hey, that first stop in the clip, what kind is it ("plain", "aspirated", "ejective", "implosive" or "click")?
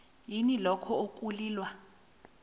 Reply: aspirated